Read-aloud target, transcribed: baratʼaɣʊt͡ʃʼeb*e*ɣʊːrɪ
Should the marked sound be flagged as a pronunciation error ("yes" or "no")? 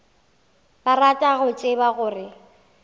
yes